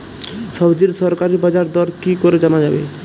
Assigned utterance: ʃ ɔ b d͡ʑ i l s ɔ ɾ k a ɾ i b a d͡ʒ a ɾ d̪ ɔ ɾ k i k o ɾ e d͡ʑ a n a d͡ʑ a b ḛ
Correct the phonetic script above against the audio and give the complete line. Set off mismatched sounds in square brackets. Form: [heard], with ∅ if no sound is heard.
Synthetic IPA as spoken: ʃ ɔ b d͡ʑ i [ɾ] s ɔ ɾ k a ɾ i b a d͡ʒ a ɾ d̪ ɔ ɾ k i k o ɾ e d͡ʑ a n a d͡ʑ a b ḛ